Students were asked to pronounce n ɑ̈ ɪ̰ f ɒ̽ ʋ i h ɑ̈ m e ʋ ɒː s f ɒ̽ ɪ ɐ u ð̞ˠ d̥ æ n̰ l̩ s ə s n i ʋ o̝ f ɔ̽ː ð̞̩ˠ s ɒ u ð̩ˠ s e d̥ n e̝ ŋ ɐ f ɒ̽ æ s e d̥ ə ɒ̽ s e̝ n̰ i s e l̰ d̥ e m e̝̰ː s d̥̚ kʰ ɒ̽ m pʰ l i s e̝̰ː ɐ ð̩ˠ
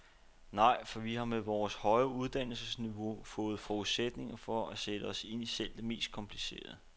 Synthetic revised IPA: n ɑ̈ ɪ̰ f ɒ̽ ʋ i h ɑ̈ m e ʋ ɒː s h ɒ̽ ɪ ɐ u ð̞ˠ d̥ æ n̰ l̩ s ə s n i ʋ o̝ f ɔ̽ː ð̞̩ˠ f ɒ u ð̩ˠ s e d̥ n e̝ ŋ ɐ f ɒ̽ æ s e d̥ ə ɒ̽ s e̝ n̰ i s e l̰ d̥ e m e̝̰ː s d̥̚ kʰ ɒ̽ m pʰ l i s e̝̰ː ɐ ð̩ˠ